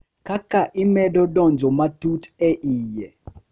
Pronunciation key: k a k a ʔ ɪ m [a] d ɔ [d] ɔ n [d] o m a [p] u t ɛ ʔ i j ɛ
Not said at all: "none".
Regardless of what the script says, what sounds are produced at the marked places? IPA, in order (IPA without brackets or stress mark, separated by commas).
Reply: ɛ, d, d͡ʒ, t